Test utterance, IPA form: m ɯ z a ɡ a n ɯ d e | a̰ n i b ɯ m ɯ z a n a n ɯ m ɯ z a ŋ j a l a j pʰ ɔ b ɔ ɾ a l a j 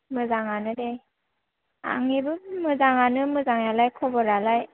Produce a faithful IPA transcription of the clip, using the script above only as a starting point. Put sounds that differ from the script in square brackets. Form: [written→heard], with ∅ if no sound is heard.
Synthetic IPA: m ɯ z a [ɡ→ŋ] a n ɯ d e | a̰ [n→ŋ] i b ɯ m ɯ z a [n→ŋ] a n ɯ m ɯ z a ŋ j a l a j [pʰ→kʰ] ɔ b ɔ ɾ a l a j